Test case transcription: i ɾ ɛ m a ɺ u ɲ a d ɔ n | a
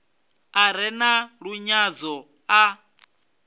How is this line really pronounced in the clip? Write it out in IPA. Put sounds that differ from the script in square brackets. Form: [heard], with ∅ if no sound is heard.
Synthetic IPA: [a] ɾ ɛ [n] a ɺ u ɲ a [d͡z] ɔ [∅] | a